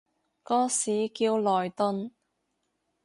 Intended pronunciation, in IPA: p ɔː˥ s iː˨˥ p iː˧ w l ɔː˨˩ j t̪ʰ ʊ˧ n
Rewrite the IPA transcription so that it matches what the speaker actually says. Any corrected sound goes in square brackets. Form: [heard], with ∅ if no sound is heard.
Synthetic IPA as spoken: [k] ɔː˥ s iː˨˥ [k] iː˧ w l ɔː˨˩ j [t̪] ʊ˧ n